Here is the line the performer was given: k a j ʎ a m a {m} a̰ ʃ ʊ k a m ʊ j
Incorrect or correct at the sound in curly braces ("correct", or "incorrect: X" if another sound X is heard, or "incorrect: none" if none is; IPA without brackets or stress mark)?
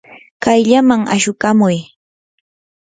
incorrect: ŋ